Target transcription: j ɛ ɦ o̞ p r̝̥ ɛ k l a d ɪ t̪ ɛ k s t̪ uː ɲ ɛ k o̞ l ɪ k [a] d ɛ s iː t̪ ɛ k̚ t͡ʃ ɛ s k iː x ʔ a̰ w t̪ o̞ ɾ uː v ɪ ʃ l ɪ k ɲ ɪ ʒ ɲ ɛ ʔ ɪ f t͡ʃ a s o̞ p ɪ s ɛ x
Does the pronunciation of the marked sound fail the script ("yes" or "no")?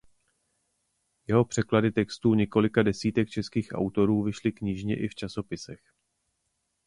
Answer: no